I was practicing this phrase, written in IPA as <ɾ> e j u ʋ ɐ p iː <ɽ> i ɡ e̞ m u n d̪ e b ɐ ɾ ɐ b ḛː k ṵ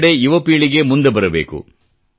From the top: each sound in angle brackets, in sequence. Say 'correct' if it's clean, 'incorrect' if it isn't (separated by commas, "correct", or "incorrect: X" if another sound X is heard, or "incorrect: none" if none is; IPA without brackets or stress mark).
incorrect: ɽ, incorrect: ɭ